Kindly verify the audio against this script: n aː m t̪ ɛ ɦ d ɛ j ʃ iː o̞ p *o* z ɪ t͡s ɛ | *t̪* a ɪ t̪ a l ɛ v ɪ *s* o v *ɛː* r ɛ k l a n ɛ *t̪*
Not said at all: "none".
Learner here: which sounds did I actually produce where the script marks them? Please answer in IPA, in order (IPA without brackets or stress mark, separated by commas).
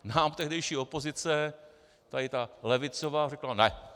o, t̪, t͡s, aː, none